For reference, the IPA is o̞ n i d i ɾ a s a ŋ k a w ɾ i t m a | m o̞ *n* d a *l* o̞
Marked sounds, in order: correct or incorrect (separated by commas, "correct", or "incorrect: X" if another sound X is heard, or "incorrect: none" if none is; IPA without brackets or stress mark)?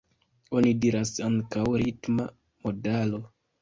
incorrect: none, correct